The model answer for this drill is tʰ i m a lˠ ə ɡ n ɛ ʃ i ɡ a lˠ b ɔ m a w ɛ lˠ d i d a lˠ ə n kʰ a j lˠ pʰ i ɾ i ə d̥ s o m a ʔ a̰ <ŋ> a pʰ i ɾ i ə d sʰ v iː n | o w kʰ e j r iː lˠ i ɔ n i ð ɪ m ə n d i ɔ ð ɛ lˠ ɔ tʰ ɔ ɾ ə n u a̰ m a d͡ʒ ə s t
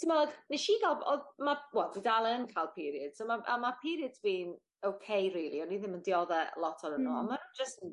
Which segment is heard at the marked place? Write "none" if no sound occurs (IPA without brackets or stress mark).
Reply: m